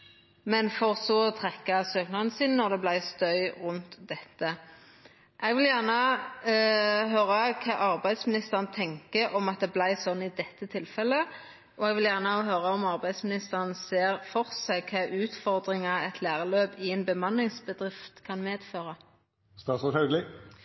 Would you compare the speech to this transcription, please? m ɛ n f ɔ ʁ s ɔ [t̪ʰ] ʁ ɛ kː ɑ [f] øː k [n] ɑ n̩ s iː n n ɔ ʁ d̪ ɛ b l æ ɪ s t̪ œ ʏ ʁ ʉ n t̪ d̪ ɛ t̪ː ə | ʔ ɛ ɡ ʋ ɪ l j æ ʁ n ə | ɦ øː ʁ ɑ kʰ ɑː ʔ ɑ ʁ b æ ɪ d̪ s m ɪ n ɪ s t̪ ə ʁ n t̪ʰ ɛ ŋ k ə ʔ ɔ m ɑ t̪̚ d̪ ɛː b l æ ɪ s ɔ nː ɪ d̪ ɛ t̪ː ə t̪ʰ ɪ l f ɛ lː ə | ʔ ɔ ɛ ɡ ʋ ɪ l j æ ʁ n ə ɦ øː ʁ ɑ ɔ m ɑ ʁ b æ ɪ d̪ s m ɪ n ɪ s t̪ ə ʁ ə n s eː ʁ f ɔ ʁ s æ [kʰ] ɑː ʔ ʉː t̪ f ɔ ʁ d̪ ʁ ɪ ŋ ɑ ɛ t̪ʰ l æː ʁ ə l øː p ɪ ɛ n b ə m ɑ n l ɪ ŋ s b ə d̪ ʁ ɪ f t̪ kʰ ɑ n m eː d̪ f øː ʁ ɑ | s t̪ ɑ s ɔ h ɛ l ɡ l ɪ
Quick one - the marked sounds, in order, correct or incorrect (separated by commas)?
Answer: correct, incorrect, correct, correct